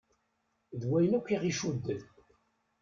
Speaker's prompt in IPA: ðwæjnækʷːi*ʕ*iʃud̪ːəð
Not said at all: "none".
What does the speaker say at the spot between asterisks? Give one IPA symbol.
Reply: ʁ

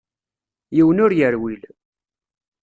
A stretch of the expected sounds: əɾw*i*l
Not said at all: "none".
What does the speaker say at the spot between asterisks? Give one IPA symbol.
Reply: i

